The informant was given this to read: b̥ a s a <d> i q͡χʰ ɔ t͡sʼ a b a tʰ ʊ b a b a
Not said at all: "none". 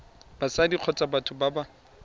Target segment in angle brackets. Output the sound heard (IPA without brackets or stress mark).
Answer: d